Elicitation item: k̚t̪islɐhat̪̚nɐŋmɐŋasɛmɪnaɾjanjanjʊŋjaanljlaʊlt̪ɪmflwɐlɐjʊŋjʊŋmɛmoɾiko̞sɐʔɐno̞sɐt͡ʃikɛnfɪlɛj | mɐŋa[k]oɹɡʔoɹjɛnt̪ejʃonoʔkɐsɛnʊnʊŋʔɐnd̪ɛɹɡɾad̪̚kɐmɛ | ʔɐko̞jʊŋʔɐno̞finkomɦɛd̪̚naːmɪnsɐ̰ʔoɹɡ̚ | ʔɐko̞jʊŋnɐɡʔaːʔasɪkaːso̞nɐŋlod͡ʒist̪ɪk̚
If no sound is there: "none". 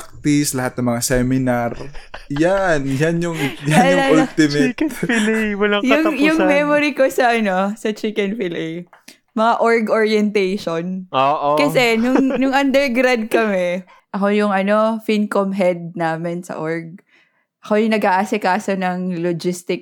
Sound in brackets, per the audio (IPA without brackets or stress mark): ʔ